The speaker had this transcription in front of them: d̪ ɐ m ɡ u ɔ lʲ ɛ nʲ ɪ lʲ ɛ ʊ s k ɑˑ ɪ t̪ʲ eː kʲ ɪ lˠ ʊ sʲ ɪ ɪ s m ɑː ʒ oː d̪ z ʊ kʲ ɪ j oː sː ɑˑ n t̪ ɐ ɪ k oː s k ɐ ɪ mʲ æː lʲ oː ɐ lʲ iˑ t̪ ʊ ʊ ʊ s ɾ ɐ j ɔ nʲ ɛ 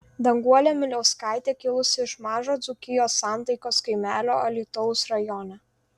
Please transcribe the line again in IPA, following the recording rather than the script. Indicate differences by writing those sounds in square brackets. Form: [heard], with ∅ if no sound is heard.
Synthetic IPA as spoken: d̪ ɐ [ŋ] ɡ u ɔ lʲ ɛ [mʲ] ɪ lʲ ɛ ʊ s k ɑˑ ɪ t̪ʲ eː kʲ ɪ lˠ ʊ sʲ ɪ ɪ [ʃ] m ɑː ʒ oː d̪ z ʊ kʲ ɪ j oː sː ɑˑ n t̪ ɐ ɪ k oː s k ɐ ɪ mʲ æː lʲ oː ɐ lʲ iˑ t̪ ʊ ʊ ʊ s ɾ ɐ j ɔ nʲ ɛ